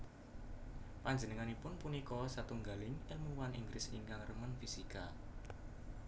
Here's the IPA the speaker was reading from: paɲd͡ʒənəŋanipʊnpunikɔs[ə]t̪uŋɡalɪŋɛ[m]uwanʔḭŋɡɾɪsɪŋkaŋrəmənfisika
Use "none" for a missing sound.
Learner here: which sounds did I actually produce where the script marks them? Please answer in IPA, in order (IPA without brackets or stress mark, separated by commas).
a, m